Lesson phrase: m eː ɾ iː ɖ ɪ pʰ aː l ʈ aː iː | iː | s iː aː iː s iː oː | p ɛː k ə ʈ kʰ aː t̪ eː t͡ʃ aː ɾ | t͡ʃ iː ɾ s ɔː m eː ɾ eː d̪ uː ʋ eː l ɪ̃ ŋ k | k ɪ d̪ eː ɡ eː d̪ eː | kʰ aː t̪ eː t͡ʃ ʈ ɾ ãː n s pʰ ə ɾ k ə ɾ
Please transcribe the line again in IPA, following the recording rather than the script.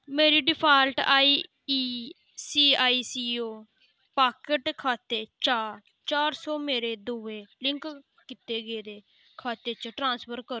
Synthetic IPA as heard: m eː ɾ iː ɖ ɪ pʰ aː l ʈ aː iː | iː | s iː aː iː s iː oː | p aː k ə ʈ kʰ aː t̪ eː t͡ʃ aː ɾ | t͡ʃ aː ɾ s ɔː m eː ɾ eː d̪ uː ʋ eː l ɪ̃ ŋ k | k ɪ t̪ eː ɡ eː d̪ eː | kʰ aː t̪ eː t͡ʃ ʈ ɾ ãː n s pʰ ə ɾ k ə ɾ